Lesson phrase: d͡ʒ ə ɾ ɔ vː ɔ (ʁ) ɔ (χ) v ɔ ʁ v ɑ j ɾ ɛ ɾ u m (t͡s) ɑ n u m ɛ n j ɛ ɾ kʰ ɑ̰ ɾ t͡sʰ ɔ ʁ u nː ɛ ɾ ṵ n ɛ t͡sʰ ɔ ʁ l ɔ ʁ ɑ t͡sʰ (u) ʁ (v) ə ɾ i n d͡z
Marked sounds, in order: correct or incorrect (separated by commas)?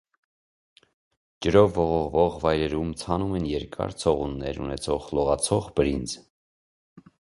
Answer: correct, incorrect, incorrect, incorrect, incorrect